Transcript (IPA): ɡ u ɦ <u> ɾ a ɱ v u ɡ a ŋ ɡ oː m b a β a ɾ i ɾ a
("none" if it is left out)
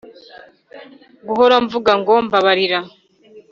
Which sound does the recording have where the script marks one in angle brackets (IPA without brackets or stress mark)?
o